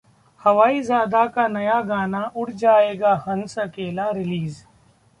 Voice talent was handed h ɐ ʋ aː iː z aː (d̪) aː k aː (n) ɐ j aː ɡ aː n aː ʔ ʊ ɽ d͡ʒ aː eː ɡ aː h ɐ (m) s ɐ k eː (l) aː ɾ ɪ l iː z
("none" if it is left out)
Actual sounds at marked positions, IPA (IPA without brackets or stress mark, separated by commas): d̪, n, n, l